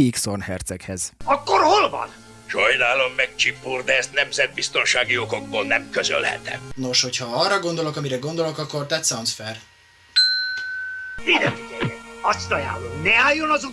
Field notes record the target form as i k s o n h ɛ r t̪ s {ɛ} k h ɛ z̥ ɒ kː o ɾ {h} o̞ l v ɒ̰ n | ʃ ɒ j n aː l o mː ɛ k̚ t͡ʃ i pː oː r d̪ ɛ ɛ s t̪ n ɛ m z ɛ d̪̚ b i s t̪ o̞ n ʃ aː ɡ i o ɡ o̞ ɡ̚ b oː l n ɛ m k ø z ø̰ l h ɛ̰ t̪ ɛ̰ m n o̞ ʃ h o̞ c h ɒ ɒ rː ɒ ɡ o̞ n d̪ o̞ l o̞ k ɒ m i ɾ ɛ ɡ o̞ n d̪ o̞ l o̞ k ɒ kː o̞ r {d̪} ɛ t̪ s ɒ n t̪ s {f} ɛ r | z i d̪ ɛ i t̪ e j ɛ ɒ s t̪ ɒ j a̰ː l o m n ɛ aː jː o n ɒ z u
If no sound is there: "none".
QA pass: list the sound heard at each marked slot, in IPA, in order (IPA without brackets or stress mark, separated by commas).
ɛ, h, t̪, f